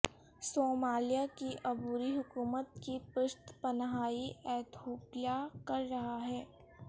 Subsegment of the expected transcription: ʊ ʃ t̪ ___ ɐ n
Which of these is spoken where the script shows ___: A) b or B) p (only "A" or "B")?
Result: B